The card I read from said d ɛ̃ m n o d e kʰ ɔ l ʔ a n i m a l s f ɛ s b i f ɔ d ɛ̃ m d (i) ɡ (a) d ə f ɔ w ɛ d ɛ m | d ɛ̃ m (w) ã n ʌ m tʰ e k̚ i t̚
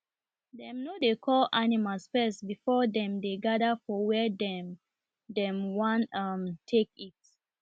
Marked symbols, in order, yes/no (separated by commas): no, yes, yes